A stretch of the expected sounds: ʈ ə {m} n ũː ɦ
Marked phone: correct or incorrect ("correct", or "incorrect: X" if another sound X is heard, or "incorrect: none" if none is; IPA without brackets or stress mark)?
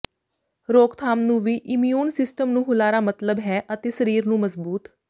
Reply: correct